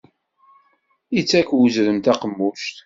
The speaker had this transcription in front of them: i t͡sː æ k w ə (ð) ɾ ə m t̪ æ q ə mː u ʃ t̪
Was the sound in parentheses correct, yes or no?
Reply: no